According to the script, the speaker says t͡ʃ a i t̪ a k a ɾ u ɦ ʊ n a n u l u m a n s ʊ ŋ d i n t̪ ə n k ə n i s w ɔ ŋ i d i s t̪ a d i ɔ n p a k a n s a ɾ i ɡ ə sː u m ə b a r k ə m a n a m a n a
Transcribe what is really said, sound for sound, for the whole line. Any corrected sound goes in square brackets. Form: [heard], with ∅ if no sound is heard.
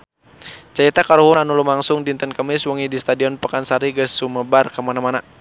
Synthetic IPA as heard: t͡ʃ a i t̪ a k a ɾ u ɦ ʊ n a n u l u m a [ŋ] s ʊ ŋ d i n t̪ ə n k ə [m] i s w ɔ ŋ i d i s t̪ a d i ɔ n p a k a n s a ɾ i ɡ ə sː u m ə b a r k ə m a n a m a n a

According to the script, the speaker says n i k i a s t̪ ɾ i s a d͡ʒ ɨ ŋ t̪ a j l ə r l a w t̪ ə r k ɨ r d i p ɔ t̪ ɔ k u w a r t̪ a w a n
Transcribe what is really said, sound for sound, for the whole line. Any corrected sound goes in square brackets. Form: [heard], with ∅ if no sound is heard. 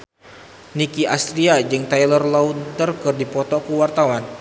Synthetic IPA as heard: n i k i a s t̪ ɾ i [∅] a d͡ʒ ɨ ŋ t̪ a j l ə r l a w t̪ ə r k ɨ r d i p ɔ t̪ ɔ k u w a r t̪ a w a n

